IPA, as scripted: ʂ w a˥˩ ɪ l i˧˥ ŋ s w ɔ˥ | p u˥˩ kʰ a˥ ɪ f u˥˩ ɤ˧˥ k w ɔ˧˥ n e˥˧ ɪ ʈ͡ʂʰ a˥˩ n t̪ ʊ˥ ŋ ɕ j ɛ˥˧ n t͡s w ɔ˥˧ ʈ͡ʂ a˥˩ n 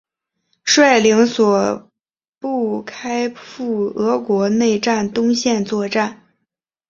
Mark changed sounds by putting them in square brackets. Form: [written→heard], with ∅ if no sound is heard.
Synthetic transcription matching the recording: ʂ w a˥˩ ɪ l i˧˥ ŋ s w [ɔ˥→ɔ˨˩] | p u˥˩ kʰ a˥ ɪ f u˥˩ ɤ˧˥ k w ɔ˧˥ n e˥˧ ɪ [ʈ͡ʂʰ→ʈ͡ʂ] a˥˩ n t̪ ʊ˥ ŋ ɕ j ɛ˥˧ n t͡s w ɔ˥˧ ʈ͡ʂ a˥˩ n